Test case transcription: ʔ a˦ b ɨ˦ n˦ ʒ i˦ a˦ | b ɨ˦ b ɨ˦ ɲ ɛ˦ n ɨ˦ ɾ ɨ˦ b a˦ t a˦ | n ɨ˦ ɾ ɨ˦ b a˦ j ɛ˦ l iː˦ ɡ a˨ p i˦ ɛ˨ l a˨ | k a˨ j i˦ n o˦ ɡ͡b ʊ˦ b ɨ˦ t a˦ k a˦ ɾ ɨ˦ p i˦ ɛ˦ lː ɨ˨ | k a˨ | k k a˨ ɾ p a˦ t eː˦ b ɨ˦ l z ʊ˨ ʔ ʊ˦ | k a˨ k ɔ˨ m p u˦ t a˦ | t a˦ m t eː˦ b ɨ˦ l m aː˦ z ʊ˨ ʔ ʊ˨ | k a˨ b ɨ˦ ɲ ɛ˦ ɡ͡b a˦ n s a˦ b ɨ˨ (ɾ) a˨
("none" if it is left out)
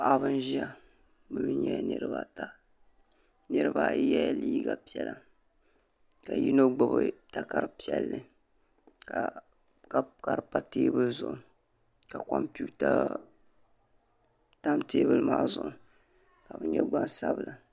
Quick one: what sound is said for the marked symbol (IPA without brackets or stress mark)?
l